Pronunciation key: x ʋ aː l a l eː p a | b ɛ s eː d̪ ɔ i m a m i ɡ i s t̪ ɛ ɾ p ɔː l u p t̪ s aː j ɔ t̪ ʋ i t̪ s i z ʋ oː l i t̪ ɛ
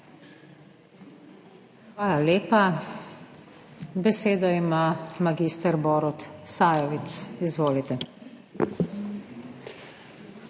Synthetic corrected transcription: x ʋ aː l a l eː p a | b ɛ s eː d̪ ɔ i m a m a ɡ i s t̪ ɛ ɾ b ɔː ɾ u t̪ s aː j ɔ ʋ i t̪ s i z ʋ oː l i t̪ ɛ

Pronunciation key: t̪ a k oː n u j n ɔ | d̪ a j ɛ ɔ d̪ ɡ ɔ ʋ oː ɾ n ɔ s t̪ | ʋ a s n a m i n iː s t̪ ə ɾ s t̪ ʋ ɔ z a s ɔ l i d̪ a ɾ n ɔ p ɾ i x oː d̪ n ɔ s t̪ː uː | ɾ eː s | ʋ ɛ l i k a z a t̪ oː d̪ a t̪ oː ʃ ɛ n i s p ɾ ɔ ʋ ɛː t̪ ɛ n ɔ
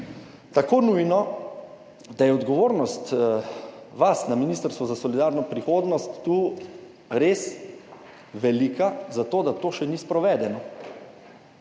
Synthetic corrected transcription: t̪ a k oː n u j n ɔ | d̪ a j ɛ ɔ d̪ ɡ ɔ ʋ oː ɾ n ɔ s t̪ | ʋ a s n a m i n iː s t̪ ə ɾ s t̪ ʋ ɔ z a s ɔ l i d̪ a ɾ n ɔ p ɾ i x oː d̪ n ɔ s t̪ː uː | ɾ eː s | ʋ ɛ l i k a z a t̪ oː d̪ a t̪ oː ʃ ɛ n i s p ɾ ɔ ʋ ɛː d̪ ɛ n ɔ

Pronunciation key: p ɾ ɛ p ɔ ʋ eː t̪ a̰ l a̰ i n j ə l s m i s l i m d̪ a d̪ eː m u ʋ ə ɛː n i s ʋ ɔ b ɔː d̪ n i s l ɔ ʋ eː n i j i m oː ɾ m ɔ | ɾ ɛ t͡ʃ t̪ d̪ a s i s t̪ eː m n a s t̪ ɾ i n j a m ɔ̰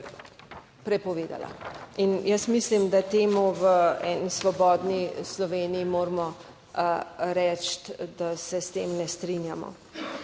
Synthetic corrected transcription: p ɾ ɛ p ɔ ʋ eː d̪ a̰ l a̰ i n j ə s m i s l i m d̪ a t̪ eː m u ʋ ə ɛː n i s ʋ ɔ b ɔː d̪ n i s l ɔ ʋ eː n i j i m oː ɾ m ɔ | ɾ ɛ t͡ʃ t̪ d̪ a s ɛ s t̪ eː m n ɛ s t̪ ɾ i n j a m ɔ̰

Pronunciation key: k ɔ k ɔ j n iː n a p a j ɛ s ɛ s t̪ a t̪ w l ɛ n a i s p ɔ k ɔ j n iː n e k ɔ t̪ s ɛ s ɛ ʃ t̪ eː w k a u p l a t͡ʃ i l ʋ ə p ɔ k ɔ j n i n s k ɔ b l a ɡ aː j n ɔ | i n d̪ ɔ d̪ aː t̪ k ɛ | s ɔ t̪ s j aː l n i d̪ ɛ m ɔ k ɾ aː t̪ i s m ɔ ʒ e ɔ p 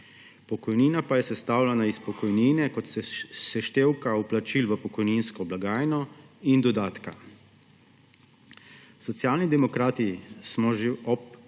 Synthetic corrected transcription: p ɔ k ɔ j n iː n a p a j ɛ s ɛ s t̪ a w l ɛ n a i s p ɔ k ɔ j n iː n ɛ k ɔ t̪ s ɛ s ɛ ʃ t̪ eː w k a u p l a t͡ʃ i l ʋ ə p ɔ k ɔ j n i n s k ɔ b l a ɡ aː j n ɔ | i n d̪ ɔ d̪ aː t̪ k a | s ɔ t̪ s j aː l n i d̪ ɛ m ɔ k ɾ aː t̪ i s m ɔ ʒ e ɔ p

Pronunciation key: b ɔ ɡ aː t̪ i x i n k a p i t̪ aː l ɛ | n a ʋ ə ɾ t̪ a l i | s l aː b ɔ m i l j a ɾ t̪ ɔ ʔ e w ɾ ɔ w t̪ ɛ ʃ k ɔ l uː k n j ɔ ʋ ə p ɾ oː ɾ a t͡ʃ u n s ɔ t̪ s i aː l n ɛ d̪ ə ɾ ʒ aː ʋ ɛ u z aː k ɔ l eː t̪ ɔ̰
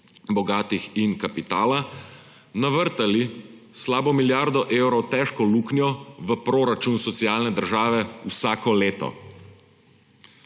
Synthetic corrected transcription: b ɔ ɡ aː t̪ i x i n k a p i t̪ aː l a | n a ʋ ə ɾ t̪ a l i | s l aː b ɔ m i l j a ɾ d̪ ɔ ʔ e w ɾ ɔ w t̪ ɛ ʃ k ɔ l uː k n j ɔ ʋ ə p ɾ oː ɾ a t͡ʃ u n s ɔ t̪ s i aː l n ɛ d̪ ə ɾ ʒ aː ʋ ɛ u s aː k ɔ l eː t̪ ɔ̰

